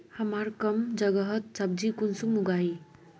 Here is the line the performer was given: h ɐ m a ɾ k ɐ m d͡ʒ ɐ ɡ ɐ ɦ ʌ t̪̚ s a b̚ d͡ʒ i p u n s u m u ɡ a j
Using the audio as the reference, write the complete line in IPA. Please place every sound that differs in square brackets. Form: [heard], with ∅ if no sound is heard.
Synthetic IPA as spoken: h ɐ m a ɾ k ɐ m d͡ʒ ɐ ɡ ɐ ɦ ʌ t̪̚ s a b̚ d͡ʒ i [k] u n s u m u ɡ a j